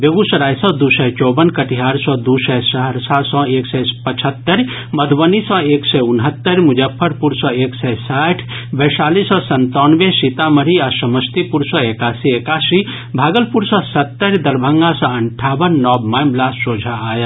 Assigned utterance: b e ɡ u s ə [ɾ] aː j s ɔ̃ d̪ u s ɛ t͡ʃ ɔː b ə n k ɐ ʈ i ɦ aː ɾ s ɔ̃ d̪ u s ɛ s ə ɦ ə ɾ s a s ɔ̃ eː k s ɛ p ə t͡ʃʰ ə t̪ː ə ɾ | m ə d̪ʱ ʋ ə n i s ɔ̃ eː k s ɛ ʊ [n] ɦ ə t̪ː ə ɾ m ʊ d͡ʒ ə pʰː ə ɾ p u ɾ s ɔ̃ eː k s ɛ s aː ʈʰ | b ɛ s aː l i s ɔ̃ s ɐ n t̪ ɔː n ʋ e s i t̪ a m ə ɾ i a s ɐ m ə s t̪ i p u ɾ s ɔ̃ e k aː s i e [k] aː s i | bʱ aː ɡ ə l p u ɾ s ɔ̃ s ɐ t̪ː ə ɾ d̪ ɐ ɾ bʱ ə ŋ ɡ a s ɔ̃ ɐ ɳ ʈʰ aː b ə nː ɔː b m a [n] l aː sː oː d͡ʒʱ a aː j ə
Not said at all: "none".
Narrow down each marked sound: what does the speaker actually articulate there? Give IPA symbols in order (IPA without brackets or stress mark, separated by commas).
ɾ, n, k, m